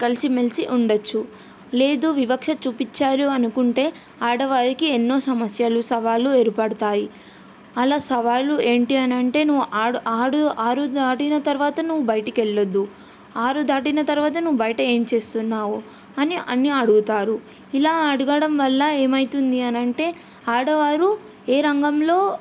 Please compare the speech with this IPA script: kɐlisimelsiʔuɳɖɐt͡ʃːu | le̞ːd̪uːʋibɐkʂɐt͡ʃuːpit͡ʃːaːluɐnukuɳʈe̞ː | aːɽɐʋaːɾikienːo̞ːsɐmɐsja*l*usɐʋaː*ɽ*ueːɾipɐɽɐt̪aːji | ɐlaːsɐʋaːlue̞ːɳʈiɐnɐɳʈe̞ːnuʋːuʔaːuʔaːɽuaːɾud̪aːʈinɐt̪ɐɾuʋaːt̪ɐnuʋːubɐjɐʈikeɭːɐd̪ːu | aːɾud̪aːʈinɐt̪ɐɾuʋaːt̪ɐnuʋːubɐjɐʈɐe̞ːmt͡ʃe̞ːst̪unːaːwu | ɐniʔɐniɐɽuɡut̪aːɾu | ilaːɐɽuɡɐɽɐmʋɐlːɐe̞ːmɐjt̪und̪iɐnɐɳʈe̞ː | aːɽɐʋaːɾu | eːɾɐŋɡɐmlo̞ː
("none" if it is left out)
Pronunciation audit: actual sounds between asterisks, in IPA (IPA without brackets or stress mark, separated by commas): l, l